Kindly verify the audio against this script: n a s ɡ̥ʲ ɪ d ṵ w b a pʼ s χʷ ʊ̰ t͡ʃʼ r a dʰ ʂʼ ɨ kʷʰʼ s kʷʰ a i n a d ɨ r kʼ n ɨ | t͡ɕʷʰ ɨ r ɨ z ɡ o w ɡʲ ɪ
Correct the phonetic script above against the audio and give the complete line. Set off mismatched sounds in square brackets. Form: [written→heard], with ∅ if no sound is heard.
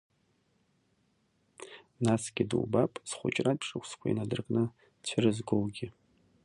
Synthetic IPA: n a s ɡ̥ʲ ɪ d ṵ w b a pʼ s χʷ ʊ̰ t͡ʃʼ r a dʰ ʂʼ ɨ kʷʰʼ s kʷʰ a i n a d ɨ r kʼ n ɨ | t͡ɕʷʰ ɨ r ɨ z ɡ o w ɡʲ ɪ